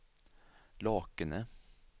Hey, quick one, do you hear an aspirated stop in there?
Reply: no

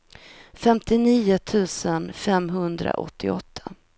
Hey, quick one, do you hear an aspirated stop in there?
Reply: yes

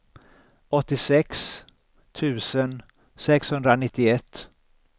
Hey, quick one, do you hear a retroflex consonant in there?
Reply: no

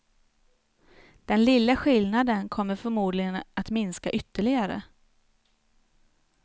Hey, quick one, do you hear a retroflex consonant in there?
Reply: yes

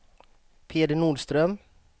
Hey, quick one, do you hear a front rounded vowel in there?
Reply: yes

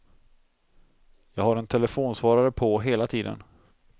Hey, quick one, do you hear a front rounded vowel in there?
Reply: no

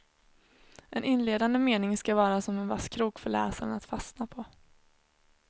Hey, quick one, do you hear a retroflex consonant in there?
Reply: yes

